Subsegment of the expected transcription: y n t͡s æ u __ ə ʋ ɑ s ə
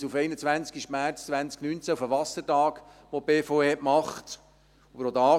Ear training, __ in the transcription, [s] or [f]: f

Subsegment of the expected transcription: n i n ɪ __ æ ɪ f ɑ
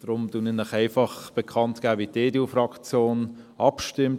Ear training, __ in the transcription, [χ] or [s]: χ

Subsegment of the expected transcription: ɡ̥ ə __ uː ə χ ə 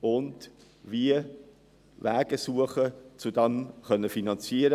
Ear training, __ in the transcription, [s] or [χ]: s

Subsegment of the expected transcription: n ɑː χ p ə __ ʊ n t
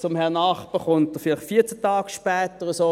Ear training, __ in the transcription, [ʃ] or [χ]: χ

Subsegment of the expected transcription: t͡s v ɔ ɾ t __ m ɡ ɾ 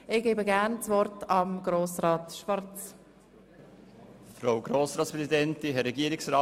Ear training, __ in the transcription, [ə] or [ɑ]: ɑ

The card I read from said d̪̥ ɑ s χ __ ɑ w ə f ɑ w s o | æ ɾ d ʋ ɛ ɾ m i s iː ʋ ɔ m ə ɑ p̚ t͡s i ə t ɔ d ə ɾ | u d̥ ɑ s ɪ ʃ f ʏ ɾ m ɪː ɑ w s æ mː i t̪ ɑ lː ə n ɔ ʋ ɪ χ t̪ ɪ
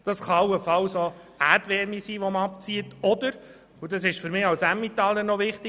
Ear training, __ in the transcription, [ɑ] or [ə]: ɑ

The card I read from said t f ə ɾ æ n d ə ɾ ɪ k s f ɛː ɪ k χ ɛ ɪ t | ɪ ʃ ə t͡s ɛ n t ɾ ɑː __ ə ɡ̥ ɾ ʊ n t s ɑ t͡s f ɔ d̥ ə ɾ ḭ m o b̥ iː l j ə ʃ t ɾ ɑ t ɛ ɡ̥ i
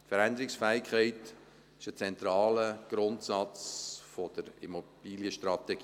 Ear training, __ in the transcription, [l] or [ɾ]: l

